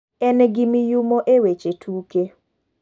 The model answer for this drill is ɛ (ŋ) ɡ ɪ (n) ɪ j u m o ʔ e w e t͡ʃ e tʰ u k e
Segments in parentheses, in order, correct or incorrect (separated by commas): incorrect, incorrect